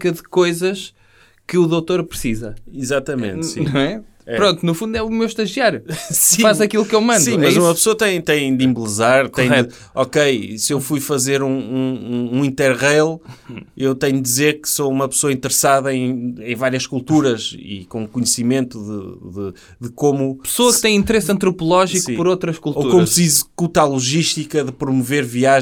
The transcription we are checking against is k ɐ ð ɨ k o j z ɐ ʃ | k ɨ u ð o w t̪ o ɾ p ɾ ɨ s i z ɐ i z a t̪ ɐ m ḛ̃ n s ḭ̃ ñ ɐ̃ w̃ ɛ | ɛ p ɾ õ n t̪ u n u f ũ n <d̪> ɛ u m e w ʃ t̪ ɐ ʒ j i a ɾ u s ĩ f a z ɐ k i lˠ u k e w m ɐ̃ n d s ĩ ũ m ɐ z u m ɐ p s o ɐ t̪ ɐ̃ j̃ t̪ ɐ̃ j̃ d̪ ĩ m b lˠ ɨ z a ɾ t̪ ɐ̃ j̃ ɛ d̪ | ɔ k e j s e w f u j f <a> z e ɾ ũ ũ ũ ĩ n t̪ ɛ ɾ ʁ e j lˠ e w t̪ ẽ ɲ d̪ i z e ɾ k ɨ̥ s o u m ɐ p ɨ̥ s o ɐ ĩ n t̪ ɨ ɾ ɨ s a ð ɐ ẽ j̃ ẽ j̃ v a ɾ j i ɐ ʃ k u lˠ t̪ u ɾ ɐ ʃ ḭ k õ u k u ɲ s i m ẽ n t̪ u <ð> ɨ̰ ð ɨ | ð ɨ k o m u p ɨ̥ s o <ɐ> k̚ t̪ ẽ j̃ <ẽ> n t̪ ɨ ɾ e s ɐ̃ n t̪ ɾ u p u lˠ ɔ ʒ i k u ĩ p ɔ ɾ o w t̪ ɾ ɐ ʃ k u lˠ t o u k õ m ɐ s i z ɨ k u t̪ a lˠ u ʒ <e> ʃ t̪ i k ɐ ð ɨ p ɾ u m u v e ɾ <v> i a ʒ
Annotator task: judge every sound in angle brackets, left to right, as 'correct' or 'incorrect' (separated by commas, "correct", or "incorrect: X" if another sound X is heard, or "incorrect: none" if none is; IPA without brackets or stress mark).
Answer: correct, incorrect: ɐ, correct, correct, incorrect: ĩ, incorrect: i, correct